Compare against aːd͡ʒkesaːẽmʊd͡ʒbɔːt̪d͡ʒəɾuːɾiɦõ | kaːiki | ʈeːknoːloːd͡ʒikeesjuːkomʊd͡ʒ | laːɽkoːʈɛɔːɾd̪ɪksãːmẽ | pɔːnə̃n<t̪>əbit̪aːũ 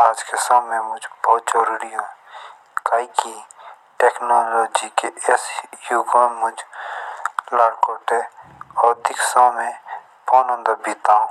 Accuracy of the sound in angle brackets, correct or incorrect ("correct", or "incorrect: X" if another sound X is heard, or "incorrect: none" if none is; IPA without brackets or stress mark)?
incorrect: d̪